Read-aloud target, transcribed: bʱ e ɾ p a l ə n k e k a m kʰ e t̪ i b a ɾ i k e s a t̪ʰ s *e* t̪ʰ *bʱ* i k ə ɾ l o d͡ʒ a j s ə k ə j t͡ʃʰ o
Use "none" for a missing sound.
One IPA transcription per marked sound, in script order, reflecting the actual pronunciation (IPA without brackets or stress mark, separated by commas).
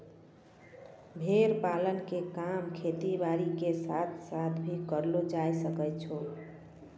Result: a, bʱ